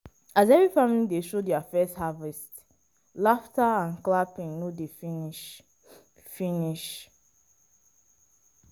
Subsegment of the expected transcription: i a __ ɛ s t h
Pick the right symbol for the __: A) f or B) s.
A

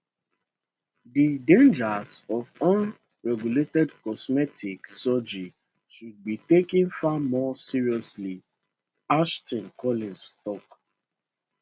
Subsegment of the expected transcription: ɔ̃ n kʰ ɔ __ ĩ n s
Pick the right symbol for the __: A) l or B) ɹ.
A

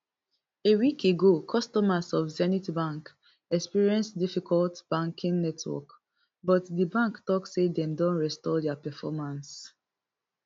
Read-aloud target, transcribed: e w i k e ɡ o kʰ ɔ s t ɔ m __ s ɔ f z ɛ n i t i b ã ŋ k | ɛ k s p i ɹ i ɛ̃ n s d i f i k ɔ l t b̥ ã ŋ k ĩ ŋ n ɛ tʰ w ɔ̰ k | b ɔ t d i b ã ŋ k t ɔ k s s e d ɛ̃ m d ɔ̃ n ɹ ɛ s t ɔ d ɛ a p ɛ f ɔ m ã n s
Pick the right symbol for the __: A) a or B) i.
A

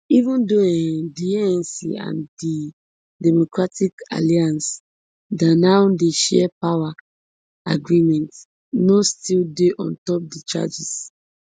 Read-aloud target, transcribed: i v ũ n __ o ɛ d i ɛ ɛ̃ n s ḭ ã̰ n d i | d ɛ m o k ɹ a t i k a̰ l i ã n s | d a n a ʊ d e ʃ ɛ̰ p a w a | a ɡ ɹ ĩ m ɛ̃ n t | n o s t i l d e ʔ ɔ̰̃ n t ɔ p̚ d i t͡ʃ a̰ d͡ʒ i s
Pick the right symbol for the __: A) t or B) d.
B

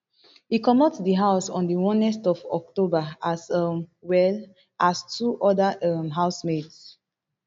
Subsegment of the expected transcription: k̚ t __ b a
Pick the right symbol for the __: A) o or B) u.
A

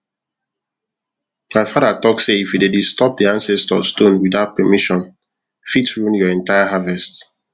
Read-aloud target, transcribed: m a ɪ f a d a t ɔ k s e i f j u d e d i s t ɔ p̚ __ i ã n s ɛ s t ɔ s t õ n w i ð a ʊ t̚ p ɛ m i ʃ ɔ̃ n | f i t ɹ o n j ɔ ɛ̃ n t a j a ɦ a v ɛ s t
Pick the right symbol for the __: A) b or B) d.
B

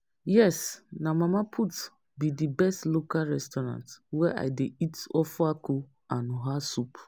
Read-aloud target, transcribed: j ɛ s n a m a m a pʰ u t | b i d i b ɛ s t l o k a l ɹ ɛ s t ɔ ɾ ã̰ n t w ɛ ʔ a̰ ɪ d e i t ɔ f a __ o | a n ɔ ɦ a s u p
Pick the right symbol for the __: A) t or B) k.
B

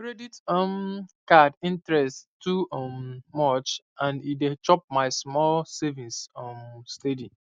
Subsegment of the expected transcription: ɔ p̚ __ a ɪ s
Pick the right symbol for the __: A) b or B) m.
B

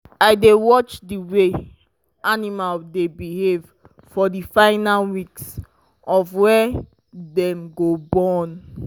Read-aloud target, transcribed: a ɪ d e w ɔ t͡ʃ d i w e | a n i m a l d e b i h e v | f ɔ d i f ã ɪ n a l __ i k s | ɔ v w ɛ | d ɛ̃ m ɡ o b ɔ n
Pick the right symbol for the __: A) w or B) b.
A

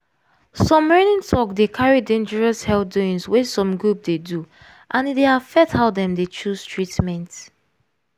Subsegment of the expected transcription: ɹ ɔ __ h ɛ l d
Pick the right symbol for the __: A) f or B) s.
B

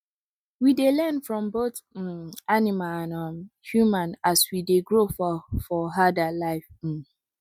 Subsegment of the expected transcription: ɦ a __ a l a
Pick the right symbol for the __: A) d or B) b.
A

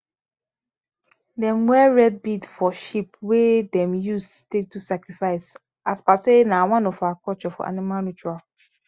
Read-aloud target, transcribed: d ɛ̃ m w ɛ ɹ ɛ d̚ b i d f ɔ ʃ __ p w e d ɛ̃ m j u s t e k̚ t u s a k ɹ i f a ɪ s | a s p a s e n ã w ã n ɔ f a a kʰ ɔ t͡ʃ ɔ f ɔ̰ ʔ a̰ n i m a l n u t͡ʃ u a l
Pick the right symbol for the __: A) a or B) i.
B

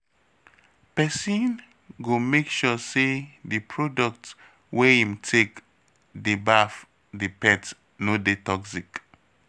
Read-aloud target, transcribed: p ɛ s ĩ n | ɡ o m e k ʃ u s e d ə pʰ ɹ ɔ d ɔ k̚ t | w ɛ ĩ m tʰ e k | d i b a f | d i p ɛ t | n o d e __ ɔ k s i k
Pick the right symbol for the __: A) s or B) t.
B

